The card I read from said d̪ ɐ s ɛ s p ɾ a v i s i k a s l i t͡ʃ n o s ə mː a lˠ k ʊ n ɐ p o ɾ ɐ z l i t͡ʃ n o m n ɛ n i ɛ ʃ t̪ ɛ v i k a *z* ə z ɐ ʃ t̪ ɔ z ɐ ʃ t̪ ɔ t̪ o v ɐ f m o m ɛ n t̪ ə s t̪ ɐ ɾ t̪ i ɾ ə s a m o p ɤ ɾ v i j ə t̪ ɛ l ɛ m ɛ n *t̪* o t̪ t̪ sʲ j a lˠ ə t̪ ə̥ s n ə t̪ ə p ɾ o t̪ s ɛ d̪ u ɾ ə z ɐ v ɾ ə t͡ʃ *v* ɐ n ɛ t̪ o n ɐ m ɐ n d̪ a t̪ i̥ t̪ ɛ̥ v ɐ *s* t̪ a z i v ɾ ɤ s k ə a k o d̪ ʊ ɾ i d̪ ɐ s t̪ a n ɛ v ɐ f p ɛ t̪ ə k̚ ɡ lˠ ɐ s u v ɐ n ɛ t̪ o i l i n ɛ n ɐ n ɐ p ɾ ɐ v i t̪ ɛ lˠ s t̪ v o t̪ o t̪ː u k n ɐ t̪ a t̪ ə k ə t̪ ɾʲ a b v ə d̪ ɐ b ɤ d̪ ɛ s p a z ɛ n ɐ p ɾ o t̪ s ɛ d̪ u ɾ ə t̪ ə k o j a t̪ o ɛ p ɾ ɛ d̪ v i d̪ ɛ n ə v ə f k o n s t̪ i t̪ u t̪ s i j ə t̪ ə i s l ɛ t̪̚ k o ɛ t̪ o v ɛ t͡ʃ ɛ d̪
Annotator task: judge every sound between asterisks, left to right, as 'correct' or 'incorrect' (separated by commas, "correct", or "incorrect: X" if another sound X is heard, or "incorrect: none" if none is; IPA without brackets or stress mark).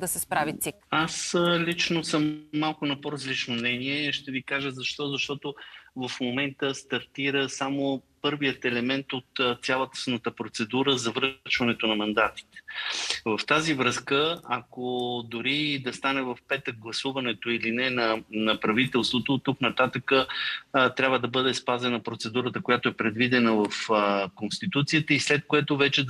incorrect: ʒ, correct, correct, incorrect: f